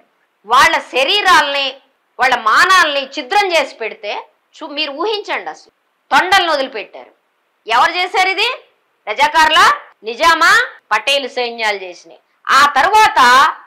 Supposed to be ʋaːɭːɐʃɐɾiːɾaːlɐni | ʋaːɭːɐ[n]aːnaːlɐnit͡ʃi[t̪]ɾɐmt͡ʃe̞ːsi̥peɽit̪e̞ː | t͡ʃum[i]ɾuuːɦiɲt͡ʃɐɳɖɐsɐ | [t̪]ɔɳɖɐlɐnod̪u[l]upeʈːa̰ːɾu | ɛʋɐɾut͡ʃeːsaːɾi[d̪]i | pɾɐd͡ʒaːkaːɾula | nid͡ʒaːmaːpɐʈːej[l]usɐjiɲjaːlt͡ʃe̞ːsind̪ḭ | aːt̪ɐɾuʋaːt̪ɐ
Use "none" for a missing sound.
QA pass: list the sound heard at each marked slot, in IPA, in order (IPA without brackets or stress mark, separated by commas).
m, d̪, iː, t̪, l, d̪, l